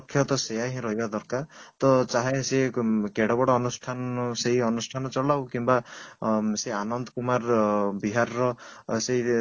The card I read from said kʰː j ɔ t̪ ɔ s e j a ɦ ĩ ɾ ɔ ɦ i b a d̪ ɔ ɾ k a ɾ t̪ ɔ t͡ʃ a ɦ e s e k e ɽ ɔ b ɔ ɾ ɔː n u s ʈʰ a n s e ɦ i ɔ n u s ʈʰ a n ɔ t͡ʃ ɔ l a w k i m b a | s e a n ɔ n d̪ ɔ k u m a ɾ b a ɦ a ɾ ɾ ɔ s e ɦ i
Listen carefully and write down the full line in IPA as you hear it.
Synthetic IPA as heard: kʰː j ɔ t̪ ɔ s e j a ɦ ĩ ɾ ɔ ɦ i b a d̪ ɔ ɾ k a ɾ t̪ ɔ t͡ʃ a ɦ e s e k e ɽ ɔ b ɔ ɽ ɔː n u s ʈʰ a n s e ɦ i ɔ n u s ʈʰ a n ɔ t͡ʃ ɔ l a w k i m b a | s e a n ɔ n d̪ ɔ k u m a ɾ b i ɦ a ɾ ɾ ɔ s e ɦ i

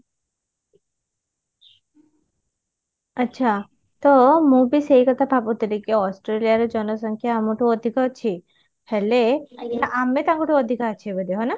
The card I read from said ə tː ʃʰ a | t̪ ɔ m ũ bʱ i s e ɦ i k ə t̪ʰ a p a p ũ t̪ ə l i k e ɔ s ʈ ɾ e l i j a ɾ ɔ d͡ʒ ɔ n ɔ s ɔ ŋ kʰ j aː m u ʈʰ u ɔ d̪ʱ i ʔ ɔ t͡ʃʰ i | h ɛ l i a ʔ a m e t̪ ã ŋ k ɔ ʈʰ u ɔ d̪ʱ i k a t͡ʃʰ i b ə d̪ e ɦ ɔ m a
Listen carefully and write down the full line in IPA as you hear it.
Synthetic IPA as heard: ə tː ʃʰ a | t̪ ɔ m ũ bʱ i s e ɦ i k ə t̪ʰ a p a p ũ t̪ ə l i k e ɔ s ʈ ɾ e l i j a ɾ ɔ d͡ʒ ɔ n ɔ s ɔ ŋ kʰ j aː m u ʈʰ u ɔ d̪ʱ i k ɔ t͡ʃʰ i | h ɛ l e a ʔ a m e t̪ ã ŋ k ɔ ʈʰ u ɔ d̪ʱ i k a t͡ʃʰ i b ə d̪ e ɦ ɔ n a

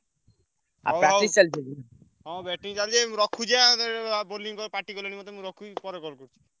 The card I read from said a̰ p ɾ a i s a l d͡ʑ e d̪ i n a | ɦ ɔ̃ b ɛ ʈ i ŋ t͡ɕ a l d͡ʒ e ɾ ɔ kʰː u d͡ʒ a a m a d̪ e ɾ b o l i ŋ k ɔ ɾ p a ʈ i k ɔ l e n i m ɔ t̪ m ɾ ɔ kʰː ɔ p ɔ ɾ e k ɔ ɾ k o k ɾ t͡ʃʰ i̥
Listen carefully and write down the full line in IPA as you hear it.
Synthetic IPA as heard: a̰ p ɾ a i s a l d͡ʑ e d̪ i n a | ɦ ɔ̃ b ɛ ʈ i ŋ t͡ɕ a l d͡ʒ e ɾ ɔ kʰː u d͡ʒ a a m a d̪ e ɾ b o l i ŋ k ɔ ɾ p a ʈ i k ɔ l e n i m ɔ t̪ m ɾ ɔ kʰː u p ɔ ɾ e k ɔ ɾ k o ɾ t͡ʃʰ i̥

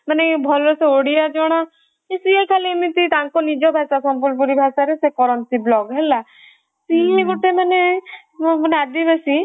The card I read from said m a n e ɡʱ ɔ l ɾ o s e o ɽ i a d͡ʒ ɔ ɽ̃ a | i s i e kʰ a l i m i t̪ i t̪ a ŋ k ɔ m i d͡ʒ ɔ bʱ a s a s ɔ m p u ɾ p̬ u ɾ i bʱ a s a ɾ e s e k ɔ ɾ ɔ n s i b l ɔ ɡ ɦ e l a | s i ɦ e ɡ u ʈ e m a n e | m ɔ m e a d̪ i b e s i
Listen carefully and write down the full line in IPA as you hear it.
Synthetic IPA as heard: m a n e bʱ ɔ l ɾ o s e o ɽ i a d͡ʒ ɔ ɽ̃ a | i s i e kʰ a l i m i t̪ i t̪ a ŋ k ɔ n i d͡ʒ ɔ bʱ a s a s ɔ m p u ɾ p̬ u ɾ i bʱ a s a ɾ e s e k ɔ ɾ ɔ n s i b l ɔ ɡ ɦ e l a | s i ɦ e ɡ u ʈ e m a n e | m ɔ n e a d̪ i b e s i

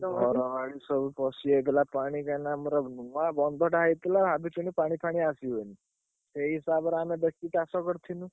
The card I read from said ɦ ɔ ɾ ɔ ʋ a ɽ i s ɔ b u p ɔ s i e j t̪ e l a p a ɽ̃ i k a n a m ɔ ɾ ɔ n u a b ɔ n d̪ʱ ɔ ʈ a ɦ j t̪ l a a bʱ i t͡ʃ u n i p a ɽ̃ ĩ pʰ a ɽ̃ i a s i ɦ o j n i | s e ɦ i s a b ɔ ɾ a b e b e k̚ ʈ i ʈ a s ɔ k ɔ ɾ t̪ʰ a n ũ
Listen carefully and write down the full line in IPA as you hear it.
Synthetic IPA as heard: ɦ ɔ ɾ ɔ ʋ a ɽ i s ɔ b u p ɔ s i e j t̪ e l a p a ɽ̃ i k a n a m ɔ ɾ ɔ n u a b ɔ n d̪ʱ ɔ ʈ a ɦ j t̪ l a a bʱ i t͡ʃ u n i p a ɽ̃ i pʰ a ɽ̃ i a s i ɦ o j n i | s e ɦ i s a b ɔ ɾ a m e b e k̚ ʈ i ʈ a s ɔ k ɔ ɾ t̪ʰ i n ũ

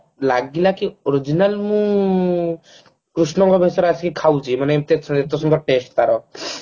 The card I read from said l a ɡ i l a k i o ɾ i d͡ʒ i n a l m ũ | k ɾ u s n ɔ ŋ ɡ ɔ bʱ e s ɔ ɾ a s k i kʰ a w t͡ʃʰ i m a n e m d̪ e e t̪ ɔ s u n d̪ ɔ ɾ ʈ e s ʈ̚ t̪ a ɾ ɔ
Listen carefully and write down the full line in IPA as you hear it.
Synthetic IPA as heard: l a ɡ i l a k i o ɾ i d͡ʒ i n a l m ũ | k ɾ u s n ɔ ŋ ɡ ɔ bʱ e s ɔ ɾ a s k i kʰ a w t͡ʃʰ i m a n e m t̪ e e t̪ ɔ s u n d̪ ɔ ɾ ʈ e s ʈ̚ t̪ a ɾ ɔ

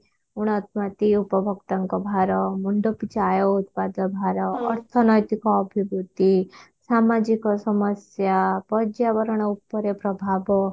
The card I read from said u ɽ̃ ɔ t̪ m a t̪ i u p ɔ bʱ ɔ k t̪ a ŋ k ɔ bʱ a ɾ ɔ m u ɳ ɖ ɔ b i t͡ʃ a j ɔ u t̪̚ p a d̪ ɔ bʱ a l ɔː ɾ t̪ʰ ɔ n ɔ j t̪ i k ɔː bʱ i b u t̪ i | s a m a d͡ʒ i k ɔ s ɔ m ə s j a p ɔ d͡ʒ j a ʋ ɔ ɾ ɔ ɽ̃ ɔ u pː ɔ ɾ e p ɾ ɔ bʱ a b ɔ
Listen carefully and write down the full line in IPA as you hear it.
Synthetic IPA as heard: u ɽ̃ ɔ t̪ m a t̪ i u p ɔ bʱ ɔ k t̪ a ŋ k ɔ bʱ a ɾ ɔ m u ɳ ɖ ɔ p i t͡ʃ a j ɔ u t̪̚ p a d̪ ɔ bʱ a ɾ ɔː ɾ t̪ʰ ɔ n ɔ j t̪ i k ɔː bʱ i b u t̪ i | s a m a d͡ʒ i k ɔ s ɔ m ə s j a p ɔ d͡ʒ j a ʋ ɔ ɾ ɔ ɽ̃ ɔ u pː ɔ ɾ e p ɾ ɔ bʱ a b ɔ

